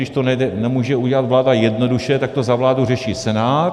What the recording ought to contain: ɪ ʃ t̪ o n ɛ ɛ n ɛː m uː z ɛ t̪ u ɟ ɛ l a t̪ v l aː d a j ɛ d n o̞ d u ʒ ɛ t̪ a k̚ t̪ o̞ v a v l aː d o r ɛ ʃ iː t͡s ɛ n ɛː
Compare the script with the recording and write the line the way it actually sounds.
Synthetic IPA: ɪ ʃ t̪ o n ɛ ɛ n ɛ m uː ʒ ɛ u ɟ ɛ l a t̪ v l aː d a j ɛ d n o̞ d u ʃ ɛ t̪ a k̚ t̪ o̞ z a v l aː d u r ɛ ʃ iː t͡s ɛ n aː